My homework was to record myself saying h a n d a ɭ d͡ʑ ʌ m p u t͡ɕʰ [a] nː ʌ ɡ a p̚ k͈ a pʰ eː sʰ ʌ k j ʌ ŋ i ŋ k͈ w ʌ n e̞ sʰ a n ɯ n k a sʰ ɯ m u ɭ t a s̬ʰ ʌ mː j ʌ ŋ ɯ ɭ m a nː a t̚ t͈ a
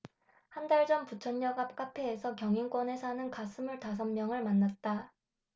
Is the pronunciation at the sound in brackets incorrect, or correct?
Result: incorrect